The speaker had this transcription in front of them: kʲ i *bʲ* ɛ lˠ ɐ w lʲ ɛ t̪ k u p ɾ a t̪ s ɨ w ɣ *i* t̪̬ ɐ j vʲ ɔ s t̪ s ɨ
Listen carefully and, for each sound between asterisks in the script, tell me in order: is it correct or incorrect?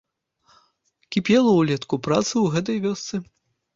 incorrect, incorrect

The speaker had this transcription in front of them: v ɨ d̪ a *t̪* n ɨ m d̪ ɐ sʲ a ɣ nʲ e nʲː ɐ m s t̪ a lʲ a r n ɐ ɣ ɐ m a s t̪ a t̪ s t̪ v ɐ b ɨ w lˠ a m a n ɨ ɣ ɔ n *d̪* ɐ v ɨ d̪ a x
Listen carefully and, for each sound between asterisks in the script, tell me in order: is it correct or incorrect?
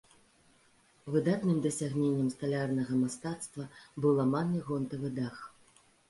correct, incorrect

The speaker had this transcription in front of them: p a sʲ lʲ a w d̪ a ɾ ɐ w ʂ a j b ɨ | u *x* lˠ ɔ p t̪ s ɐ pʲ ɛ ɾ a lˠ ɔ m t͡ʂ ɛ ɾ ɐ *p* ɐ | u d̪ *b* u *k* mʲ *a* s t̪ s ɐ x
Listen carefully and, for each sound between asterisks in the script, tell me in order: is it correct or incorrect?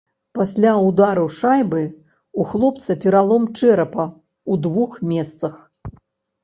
correct, correct, incorrect, incorrect, incorrect

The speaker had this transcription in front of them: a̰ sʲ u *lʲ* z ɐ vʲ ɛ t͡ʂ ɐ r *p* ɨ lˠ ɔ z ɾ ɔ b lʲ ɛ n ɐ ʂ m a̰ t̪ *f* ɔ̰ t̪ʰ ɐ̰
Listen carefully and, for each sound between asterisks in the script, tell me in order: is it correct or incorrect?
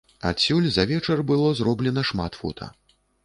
correct, incorrect, correct

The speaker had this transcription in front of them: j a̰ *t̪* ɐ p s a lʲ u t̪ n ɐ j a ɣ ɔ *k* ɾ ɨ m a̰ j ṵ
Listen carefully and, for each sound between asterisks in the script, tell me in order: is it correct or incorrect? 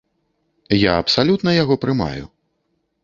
incorrect, incorrect

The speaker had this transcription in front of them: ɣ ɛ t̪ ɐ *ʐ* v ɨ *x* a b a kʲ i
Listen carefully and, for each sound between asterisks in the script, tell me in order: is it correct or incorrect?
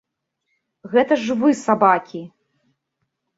correct, incorrect

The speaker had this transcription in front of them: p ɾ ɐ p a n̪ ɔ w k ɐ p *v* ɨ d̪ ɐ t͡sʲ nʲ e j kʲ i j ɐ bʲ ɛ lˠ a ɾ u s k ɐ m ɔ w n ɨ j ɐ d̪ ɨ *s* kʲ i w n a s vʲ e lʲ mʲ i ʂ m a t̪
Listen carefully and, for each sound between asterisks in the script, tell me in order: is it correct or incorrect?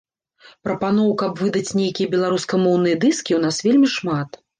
correct, correct

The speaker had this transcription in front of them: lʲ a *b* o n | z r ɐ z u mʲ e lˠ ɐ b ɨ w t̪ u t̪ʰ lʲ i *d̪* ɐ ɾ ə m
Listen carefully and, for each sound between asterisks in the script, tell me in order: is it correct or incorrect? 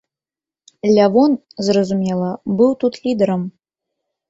incorrect, correct

